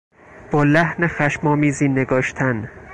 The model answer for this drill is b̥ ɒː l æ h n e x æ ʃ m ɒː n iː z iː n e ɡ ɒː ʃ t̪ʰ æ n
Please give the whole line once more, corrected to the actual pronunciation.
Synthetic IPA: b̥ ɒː l æ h n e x æ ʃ m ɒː m iː z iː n e ɡ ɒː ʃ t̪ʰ æ n